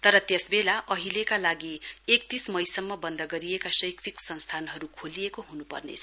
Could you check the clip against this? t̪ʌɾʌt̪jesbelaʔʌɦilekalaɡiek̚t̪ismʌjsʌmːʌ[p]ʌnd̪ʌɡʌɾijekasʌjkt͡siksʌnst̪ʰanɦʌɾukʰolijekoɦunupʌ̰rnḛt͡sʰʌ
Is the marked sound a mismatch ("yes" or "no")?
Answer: yes